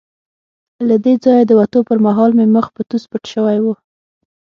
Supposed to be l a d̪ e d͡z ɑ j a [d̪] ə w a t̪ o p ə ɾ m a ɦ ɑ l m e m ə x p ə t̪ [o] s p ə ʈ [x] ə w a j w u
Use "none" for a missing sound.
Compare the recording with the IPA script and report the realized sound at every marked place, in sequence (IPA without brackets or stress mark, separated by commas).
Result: d̪, u, ʃ